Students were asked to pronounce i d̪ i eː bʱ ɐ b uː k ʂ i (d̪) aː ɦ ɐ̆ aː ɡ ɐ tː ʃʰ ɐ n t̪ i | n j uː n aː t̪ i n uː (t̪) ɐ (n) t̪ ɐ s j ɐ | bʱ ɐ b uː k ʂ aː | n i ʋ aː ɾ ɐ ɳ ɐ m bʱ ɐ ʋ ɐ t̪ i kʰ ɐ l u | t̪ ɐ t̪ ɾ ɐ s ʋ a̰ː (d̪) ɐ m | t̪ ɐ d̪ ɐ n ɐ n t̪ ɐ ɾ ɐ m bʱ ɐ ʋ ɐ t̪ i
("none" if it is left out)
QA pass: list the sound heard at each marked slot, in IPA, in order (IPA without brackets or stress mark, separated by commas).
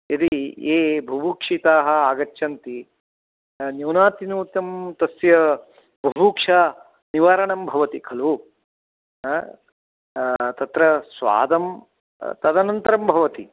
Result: t̪, t̪, m, d̪